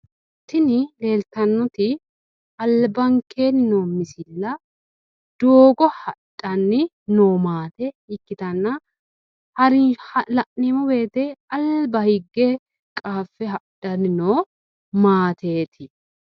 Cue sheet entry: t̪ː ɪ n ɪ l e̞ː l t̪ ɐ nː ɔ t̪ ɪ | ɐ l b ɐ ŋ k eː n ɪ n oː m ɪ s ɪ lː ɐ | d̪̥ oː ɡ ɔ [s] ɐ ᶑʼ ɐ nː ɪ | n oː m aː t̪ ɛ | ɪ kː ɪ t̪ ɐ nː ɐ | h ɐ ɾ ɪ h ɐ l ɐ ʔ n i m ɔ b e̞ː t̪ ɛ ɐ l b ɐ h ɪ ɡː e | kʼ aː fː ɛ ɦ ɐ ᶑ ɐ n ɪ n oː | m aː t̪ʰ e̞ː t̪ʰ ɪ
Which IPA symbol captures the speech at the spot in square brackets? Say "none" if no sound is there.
h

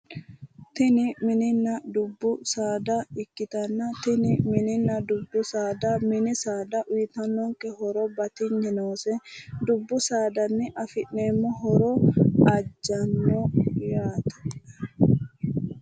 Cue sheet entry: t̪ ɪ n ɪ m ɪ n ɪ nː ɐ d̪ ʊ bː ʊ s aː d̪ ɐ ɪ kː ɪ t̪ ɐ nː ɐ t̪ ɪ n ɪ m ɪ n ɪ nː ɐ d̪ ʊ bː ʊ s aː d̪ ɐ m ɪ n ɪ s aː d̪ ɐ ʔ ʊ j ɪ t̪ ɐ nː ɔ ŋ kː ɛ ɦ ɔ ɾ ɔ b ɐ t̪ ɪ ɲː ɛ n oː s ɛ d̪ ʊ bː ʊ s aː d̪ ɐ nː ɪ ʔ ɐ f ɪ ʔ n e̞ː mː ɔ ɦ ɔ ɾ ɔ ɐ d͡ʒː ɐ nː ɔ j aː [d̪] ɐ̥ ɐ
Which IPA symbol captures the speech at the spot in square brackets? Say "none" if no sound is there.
t̪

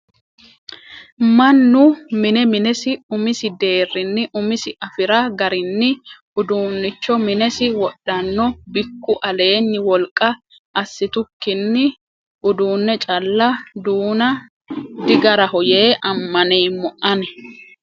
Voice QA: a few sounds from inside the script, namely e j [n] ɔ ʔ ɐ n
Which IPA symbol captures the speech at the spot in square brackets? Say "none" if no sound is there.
m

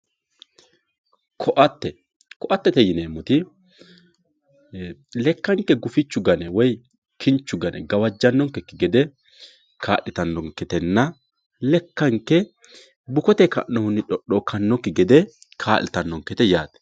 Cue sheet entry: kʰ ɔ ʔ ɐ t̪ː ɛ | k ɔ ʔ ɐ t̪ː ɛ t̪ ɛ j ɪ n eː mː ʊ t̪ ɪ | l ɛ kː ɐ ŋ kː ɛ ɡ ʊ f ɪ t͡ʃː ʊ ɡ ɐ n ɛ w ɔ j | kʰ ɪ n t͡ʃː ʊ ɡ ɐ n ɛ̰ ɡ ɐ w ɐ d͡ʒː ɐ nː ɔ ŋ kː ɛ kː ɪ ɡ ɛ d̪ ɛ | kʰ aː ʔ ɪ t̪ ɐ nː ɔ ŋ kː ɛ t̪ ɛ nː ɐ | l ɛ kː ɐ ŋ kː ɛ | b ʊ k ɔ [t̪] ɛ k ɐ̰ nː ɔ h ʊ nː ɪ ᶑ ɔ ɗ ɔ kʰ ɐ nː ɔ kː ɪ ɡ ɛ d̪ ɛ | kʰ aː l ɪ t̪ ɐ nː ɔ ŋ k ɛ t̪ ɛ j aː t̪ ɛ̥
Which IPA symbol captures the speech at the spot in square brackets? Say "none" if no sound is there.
t̪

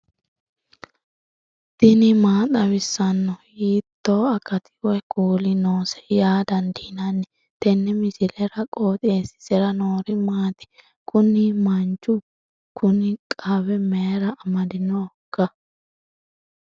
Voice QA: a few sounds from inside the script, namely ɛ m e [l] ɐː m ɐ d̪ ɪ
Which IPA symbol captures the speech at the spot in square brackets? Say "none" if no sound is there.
ɾ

